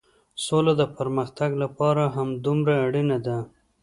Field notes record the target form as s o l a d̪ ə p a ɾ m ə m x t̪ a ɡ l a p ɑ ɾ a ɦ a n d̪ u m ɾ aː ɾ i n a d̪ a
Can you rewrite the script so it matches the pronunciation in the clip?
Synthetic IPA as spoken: s o l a d̪ ə p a ɾ m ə x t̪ a ɡ l a p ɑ ɾ a ɦ a m d̪ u m ɾ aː ɽ i n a d̪ a